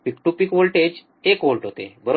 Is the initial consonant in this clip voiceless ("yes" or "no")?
yes